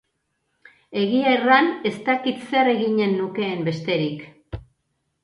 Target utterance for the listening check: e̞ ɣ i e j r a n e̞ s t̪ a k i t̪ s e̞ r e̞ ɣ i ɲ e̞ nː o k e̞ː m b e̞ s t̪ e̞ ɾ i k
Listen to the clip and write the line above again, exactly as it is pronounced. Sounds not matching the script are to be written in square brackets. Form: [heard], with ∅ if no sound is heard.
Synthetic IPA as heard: e̞ ɣ i [a] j r a n e̞ s t̪ a k i t̪ s e̞ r e̞ ɣ i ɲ e̞ nː [u] k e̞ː m b e̞ s t̪ e̞ ɾ i k

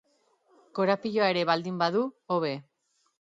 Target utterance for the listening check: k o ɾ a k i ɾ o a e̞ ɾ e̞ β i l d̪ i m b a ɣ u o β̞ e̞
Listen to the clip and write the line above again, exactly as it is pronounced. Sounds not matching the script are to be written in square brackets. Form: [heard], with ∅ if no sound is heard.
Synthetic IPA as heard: k o ɾ a [p] i [ʎ] o a e̞ ɾ e̞ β [a] l d̪ i m b a [ð] u o β̞ e̞

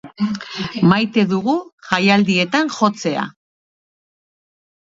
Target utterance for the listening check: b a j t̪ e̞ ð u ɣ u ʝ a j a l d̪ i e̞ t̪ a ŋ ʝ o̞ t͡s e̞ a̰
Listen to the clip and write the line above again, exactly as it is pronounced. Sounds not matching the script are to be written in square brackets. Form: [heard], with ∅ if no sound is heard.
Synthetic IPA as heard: [m] a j t̪ e̞ ð u ɣ u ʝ a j a l d̪ i e̞ t̪ a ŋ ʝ o̞ t͡s e̞ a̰

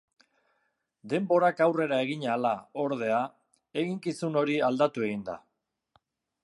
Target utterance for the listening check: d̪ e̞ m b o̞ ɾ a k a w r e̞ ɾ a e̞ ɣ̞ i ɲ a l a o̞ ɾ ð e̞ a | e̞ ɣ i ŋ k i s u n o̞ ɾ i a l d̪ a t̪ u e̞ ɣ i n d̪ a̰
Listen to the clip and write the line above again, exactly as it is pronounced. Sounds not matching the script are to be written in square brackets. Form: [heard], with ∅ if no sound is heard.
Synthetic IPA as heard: d̪ e̞ m b o̞ ɾ a k a w r e̞ ɾ a e̞ ɣ̞ i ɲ a l a o̞ ɾ ð e̞ a | e̞ ɣ i ŋ k i s u n o̞ ɾ i a l d̪ a t̪ u e̞ ɣ i n d̪ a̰

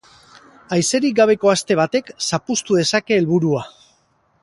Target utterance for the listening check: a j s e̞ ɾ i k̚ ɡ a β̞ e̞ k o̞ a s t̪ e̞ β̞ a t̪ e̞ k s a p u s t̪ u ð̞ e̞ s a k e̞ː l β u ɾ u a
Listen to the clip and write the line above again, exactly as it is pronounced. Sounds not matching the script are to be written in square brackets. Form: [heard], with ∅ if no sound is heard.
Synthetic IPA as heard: a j s e̞ ɾ i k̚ ɡ a β̞ e̞ k o̞ a s t̪ e̞ β̞ a t̪ e̞ k s a p u s t̪ u ð̞ e̞ s a k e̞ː l β u ɾ u a

